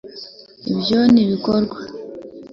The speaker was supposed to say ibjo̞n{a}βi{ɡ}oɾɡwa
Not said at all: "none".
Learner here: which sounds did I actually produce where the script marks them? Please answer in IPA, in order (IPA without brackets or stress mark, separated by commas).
i, k